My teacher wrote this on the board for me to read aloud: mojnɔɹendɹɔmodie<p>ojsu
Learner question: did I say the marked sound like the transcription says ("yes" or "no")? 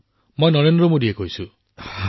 no